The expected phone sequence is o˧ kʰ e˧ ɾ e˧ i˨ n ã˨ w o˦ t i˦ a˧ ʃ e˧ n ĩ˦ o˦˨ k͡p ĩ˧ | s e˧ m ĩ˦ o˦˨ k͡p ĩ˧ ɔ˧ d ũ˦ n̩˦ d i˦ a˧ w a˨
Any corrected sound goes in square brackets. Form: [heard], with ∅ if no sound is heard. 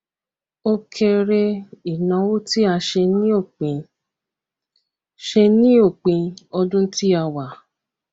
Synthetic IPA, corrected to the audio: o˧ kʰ e˧ ɾ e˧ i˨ n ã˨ w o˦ t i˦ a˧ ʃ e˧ n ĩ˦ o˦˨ k͡p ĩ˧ | [ʃ] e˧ [n] ĩ˦ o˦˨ k͡p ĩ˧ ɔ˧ d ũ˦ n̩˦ [t] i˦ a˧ w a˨